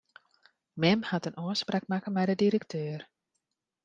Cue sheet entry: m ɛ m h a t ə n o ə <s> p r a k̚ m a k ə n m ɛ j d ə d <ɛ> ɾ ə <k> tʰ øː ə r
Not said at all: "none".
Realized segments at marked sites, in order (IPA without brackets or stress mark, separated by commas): s, i, k